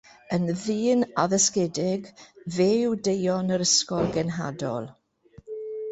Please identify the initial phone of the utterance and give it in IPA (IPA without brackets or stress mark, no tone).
ə